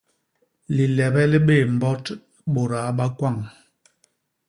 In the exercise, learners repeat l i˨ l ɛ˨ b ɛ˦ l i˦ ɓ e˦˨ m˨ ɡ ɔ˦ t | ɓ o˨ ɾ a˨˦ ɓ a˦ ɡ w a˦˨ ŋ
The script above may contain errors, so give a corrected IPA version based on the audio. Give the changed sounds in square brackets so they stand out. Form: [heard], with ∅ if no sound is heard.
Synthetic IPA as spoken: l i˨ l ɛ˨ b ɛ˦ l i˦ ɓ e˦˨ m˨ [b] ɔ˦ t | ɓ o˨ ɾ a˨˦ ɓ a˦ [k] w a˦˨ ŋ